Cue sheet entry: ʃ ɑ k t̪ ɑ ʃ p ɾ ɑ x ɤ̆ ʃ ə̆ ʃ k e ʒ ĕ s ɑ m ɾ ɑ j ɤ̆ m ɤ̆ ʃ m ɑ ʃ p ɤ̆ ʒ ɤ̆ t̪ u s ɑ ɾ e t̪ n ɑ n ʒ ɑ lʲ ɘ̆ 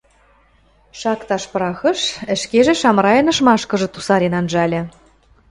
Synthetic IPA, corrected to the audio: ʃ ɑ k t̪ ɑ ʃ p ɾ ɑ x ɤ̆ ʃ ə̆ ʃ k e ʒ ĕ ʃ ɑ m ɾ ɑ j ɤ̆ n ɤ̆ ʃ m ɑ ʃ k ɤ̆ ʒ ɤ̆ t̪ u s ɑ ɾ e n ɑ n ʒ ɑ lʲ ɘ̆